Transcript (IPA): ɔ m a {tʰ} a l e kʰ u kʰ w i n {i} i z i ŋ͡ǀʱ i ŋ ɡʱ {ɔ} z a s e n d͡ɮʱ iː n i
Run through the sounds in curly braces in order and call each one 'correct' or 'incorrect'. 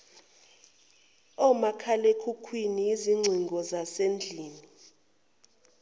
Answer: incorrect, correct, correct

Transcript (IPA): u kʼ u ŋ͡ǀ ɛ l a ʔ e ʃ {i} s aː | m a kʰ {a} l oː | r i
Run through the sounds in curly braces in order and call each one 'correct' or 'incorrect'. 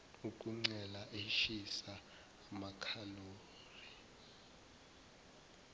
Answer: correct, correct

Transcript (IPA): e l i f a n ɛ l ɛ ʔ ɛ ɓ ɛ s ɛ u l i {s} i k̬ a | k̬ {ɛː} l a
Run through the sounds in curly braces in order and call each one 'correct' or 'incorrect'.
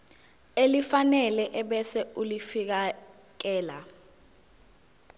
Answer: incorrect, correct

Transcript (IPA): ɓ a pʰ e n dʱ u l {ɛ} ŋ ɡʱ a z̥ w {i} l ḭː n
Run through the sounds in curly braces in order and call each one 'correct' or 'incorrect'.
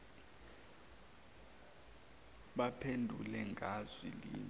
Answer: correct, correct

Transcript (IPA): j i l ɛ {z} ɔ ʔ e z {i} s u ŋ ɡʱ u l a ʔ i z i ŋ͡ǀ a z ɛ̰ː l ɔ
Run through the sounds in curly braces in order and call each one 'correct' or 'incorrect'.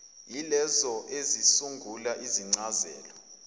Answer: correct, correct

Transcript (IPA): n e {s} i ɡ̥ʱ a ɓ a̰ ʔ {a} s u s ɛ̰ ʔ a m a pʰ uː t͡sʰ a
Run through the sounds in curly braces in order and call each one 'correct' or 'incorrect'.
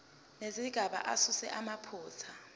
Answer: incorrect, correct

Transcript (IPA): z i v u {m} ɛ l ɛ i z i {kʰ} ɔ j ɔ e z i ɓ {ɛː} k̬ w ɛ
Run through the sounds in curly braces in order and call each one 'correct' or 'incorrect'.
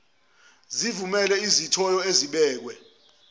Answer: correct, incorrect, correct

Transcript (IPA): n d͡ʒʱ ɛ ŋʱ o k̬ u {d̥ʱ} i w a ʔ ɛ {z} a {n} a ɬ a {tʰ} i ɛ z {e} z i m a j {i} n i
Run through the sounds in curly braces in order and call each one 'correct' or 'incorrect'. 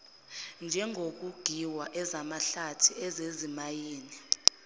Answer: incorrect, correct, incorrect, correct, correct, incorrect

